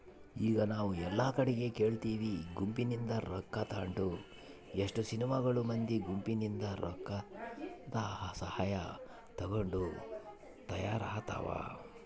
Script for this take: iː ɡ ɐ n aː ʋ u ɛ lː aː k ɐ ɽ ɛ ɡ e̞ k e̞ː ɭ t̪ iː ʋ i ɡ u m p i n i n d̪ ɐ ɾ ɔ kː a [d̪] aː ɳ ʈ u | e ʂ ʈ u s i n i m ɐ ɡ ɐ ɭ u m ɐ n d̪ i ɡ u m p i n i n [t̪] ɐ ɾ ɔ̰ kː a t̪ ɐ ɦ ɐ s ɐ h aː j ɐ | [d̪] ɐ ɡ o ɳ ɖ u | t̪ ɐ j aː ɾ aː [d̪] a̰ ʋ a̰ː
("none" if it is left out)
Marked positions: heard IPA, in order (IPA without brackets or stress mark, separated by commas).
t̪, d̪, t̪, t̪